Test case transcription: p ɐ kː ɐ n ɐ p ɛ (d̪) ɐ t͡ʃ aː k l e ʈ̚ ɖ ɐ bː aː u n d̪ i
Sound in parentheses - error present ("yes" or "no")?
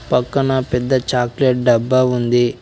yes